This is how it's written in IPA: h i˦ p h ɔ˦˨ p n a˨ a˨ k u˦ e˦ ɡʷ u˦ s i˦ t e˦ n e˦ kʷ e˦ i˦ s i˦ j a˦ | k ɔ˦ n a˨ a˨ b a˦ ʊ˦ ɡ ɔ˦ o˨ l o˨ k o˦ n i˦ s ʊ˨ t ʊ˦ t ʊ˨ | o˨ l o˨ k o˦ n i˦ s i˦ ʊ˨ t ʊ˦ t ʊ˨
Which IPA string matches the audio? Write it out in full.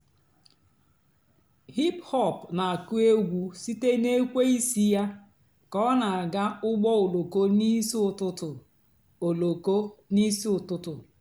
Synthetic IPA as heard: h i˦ p h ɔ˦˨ p n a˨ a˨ k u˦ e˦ ɡʷ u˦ s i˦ t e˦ n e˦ kʷ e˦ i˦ s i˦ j a˦ | k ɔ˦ n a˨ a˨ ɡ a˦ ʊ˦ ɡ͡b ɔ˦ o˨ l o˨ k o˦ n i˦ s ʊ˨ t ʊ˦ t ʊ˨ | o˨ l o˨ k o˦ n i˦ s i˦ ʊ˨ t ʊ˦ t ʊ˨